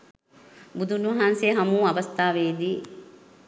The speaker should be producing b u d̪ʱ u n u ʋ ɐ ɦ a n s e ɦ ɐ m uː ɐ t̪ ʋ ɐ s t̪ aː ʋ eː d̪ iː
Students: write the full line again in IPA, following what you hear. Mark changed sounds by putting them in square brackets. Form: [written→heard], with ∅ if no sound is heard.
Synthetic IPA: b u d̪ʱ u n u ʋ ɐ ɦ a n s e ɦ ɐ m uː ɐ [t̪→∅] ʋ ɐ s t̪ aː ʋ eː d̪ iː